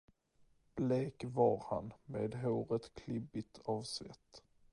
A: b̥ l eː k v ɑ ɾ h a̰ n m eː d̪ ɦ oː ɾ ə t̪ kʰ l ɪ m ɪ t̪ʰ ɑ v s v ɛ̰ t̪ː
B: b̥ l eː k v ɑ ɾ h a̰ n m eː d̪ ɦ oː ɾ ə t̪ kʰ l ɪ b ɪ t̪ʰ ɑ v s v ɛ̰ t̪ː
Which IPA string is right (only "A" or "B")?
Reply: B